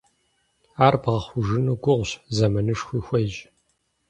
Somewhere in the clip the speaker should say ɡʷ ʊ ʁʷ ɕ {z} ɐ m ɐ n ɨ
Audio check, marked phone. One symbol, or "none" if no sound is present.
z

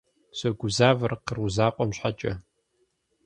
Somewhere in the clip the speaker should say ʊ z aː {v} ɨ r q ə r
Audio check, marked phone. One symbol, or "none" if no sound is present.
v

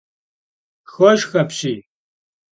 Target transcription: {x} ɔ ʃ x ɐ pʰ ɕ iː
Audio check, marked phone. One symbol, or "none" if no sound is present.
x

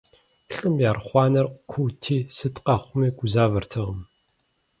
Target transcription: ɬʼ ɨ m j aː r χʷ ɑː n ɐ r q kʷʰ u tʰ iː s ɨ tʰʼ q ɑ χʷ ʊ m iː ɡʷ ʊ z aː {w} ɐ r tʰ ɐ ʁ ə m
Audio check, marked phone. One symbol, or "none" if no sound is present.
v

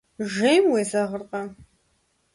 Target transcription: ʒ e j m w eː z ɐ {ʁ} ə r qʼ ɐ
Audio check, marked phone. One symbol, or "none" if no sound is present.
ʁ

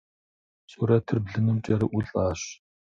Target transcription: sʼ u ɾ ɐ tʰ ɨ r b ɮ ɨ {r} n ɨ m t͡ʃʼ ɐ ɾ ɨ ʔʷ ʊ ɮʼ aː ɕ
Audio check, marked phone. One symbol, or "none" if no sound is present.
none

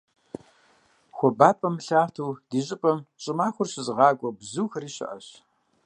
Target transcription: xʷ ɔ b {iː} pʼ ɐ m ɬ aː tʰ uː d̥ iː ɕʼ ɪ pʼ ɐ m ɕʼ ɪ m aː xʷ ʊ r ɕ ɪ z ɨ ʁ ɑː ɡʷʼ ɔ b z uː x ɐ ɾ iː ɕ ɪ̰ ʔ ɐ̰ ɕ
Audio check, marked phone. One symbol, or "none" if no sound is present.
aː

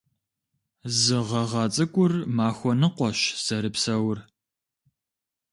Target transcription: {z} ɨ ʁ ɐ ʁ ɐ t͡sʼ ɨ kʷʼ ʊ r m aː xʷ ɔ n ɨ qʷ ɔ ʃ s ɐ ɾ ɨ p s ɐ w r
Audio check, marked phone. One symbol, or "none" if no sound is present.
z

